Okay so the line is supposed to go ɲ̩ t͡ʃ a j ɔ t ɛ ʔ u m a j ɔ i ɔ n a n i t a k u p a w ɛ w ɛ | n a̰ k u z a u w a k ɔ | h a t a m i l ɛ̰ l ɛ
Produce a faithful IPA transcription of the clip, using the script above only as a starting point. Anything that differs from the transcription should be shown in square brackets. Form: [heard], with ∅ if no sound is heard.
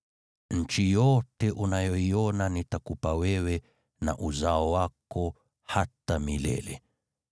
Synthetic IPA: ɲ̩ t͡ʃ [i] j ɔ t ɛ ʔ u [n] a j ɔ i ɔ n a n i t a k u p a w ɛ w ɛ | n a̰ [ʔ] u z a [ɔ] w a k ɔ | h a t a m i l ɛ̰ l ɛ